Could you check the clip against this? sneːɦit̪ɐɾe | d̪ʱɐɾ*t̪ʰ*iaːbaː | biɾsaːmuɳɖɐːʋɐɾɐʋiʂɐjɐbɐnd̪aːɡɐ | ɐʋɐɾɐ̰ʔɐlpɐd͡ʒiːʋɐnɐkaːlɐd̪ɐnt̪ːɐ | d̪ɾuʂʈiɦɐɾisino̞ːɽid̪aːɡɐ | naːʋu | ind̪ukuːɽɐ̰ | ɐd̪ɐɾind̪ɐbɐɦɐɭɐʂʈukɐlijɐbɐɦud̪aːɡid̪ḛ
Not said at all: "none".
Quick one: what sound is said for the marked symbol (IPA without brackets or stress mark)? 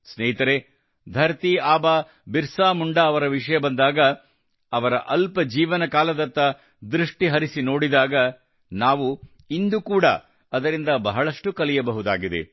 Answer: t̪